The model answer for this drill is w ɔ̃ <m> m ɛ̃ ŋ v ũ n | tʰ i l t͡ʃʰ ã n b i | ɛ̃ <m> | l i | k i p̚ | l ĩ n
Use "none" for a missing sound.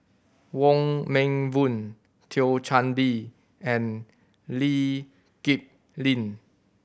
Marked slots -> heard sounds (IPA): ŋ, n

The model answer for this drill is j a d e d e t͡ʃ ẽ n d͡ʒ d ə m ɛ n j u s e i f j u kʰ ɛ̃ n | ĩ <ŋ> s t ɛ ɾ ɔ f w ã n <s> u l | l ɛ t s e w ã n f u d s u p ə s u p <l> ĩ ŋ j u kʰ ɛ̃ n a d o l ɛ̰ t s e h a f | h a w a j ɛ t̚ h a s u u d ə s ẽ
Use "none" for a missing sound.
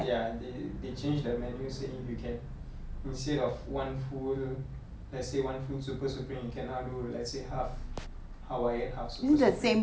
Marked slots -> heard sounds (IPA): n, f, ɹ

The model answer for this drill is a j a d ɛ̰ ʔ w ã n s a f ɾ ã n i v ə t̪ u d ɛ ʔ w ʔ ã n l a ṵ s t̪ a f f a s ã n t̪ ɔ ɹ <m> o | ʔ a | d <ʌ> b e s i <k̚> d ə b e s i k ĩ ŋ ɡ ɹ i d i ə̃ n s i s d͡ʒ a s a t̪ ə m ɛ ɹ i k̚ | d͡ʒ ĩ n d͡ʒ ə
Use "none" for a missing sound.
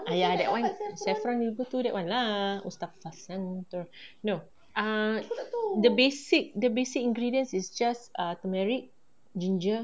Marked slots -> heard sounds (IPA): n, ə, k̚

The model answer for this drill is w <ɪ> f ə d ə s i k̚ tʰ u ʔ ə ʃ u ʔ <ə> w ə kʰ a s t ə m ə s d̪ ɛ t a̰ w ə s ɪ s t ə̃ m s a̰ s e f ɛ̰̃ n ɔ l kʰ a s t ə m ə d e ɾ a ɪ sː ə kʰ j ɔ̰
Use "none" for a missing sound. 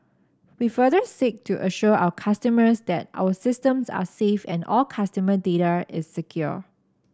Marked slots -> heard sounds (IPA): i, a

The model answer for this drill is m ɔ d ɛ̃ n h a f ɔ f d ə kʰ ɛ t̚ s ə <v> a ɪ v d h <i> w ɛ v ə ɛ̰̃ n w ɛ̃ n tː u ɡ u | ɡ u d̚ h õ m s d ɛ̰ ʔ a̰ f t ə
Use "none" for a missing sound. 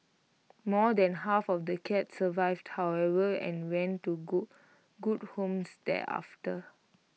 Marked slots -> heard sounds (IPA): v, a

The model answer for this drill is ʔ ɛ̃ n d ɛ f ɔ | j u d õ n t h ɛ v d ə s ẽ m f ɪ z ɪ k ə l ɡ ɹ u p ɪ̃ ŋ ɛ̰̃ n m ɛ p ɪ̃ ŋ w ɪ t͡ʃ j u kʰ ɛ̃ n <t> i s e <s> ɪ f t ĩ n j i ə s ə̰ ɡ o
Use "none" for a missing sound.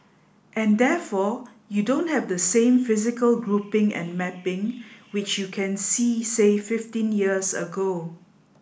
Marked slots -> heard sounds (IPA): s, f

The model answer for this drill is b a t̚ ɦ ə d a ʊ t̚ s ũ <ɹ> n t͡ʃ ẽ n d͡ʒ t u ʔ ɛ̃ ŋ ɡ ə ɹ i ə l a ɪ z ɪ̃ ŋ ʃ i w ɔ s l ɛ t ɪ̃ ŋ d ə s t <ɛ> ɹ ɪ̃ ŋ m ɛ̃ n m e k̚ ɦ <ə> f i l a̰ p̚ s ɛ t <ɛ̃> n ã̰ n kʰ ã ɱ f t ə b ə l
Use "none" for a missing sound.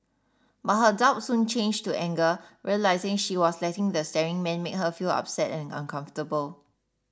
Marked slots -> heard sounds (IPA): none, ɛ, ə, ɛ̃

